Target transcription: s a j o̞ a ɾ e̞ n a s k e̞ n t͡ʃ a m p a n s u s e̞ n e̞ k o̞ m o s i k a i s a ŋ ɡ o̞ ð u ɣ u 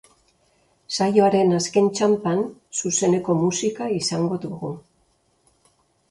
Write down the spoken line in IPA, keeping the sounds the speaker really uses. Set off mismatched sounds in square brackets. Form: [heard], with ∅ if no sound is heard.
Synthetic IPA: s a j o̞ a ɾ e̞ n a s k e̞ n t͡ʃ a m p a n s u s e̞ n e̞ k o̞ m [u] s i k a i s a ŋ ɡ o̞ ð u ɣ u